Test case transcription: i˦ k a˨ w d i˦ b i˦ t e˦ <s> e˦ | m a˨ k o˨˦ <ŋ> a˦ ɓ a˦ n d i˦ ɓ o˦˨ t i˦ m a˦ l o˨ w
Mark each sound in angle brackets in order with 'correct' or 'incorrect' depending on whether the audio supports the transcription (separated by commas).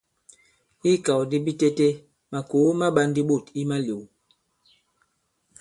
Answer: incorrect, incorrect